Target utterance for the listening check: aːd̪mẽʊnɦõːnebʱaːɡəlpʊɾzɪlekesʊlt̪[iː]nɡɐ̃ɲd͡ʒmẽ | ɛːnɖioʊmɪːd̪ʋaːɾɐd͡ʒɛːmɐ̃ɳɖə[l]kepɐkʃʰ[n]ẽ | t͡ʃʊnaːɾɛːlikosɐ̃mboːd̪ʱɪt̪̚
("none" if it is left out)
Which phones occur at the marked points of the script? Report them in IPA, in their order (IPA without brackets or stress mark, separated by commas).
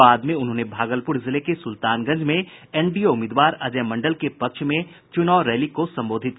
aː, l, m